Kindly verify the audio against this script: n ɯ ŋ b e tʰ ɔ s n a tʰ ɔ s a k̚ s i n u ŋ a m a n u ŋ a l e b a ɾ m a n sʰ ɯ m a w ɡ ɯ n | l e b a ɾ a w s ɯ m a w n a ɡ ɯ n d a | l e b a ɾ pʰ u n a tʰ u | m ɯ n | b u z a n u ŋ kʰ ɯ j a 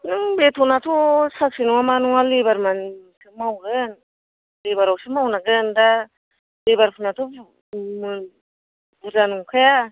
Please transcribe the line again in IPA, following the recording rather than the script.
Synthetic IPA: n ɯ ŋ b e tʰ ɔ n a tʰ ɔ s a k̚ s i n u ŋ a m a n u ŋ a l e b a ɾ m a n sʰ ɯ m a w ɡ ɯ n | l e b a ɾ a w s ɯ m a w n a ɡ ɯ n d a | l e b a ɾ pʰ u n a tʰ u | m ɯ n | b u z a n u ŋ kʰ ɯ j a